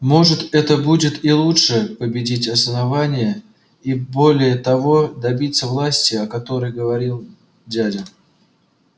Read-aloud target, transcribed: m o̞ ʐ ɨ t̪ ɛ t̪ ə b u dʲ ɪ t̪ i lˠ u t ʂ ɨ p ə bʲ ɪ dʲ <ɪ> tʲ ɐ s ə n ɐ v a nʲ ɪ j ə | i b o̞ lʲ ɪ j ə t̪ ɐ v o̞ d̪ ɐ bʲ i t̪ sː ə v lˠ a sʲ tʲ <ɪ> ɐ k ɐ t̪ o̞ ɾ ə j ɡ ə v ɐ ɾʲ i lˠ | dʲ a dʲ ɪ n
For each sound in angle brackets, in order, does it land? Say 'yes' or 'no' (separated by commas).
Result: no, yes